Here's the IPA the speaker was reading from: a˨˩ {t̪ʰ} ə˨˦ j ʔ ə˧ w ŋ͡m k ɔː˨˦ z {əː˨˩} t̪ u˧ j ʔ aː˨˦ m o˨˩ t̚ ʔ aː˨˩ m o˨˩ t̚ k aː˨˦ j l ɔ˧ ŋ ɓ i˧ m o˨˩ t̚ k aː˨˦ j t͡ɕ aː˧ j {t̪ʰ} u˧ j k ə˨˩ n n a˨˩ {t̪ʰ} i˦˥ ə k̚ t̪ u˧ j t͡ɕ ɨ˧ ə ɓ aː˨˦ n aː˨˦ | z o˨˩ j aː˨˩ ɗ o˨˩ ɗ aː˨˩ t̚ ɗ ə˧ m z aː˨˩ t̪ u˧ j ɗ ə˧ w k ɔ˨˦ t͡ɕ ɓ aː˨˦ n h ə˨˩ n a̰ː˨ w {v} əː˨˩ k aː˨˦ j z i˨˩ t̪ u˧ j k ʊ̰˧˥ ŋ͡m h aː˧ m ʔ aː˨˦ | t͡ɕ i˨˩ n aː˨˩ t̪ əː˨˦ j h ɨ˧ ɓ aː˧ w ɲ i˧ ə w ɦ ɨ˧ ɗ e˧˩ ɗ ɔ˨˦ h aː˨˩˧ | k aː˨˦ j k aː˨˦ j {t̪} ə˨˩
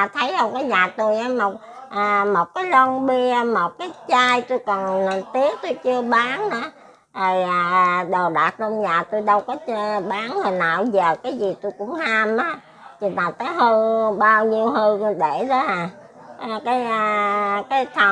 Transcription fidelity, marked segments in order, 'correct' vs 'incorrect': correct, incorrect: aː˨˩, incorrect: t̪, incorrect: t̪, incorrect: z, incorrect: t̪ʰ

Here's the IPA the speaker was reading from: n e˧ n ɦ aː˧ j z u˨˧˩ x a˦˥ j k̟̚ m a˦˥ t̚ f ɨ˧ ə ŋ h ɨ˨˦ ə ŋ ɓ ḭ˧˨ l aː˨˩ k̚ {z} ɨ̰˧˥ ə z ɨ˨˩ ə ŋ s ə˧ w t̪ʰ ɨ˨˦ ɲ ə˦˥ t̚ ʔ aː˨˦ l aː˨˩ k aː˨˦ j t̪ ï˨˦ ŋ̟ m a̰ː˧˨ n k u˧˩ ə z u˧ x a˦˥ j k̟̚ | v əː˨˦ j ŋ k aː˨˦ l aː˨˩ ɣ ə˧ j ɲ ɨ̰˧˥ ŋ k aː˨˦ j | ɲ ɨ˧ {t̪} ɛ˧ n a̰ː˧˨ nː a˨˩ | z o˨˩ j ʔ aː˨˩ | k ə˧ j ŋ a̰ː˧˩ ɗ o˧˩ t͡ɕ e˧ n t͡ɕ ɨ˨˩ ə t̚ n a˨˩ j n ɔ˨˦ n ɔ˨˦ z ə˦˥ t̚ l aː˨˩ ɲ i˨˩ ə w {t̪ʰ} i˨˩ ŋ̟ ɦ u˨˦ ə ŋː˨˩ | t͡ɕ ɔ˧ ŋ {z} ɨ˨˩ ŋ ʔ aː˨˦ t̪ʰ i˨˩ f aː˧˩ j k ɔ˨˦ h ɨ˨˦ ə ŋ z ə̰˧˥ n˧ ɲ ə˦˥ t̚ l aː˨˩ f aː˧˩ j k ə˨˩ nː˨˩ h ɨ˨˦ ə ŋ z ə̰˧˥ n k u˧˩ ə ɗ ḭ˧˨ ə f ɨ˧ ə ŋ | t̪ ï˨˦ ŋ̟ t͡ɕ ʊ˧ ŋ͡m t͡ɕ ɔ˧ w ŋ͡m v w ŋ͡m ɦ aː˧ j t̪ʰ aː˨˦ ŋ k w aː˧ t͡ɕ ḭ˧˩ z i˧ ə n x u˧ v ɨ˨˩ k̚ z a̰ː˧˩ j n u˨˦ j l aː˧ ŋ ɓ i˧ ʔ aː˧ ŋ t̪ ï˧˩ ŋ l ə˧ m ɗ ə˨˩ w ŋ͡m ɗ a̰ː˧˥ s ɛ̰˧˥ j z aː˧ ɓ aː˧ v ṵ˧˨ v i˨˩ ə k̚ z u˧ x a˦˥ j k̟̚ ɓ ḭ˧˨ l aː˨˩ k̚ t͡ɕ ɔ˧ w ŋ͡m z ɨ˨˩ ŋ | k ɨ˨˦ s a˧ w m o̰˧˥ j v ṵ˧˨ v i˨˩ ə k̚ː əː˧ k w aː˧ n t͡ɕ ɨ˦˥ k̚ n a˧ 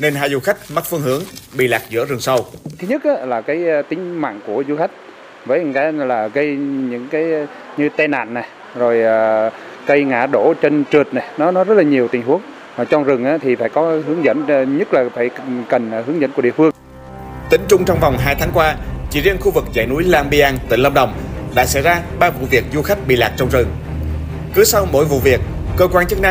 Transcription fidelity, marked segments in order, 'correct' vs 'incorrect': correct, correct, incorrect: t̪, correct

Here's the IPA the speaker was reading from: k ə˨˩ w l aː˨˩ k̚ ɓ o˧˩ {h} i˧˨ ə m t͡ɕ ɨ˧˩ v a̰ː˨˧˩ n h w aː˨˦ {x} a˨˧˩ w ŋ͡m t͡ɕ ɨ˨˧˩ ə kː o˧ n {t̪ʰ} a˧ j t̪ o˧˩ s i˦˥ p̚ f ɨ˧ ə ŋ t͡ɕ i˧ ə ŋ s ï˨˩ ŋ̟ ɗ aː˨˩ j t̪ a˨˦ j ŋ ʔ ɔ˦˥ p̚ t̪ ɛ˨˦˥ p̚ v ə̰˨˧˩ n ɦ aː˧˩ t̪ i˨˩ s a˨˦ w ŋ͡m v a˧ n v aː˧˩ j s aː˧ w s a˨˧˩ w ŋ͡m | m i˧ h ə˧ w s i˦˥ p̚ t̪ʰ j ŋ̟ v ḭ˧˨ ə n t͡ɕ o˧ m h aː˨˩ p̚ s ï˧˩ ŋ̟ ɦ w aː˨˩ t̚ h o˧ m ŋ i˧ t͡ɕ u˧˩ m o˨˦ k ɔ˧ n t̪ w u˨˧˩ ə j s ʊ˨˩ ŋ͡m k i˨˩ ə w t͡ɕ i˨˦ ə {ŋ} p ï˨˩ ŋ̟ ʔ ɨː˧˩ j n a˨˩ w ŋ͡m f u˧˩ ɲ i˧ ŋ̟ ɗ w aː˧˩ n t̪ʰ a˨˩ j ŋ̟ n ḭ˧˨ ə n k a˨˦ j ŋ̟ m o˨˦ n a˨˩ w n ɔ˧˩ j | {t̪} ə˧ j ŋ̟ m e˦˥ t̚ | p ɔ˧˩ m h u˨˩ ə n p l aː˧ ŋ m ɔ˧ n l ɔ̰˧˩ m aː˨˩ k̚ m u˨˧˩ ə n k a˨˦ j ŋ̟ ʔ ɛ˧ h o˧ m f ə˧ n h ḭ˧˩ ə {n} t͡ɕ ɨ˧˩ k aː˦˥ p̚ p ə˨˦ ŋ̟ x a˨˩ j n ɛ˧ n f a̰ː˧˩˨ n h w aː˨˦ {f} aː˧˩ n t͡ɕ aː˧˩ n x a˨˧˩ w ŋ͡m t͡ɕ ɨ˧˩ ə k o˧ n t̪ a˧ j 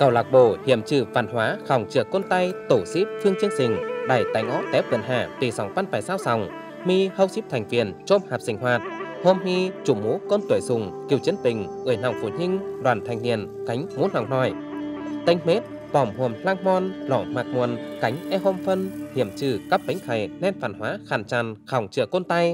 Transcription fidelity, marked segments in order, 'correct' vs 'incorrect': correct, correct, incorrect: t̪, incorrect: n, correct, incorrect: m, incorrect: x

